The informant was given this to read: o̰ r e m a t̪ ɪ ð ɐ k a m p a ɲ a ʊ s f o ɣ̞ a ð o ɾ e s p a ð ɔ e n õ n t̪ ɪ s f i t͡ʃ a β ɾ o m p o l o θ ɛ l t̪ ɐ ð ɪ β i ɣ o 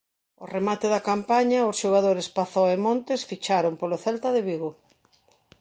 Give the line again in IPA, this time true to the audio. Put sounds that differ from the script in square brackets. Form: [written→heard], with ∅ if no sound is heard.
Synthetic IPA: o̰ r e m a t̪ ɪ ð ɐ k a m p a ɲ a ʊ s [f→ʃ] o ɣ̞ a ð o ɾ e s p a [ð→θ] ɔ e [n→m] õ n t̪ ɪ s f i t͡ʃ a [β→∅] ɾ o m p o l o θ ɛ l t̪ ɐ ð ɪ β i ɣ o